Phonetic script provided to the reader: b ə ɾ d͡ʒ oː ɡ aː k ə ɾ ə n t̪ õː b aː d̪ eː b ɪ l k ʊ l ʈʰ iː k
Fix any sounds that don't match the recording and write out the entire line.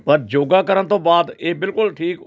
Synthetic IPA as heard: p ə ɾ d͡ʒ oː ɡ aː k ə ɾ ə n t̪ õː b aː d̪ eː b ɪ l k ʊ l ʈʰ iː k